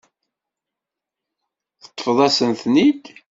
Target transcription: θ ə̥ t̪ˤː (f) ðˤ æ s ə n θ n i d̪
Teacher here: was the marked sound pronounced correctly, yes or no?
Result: yes